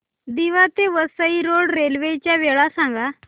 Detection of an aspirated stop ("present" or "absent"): absent